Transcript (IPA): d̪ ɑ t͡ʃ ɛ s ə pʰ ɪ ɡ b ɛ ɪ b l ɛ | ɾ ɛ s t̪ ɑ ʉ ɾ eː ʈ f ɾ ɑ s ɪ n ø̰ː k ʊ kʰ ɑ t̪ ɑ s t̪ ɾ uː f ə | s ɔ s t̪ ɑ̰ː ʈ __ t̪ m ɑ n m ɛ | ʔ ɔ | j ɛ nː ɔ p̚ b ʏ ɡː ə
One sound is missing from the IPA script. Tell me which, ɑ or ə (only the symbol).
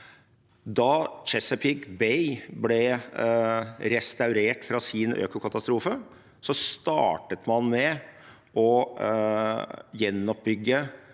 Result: ə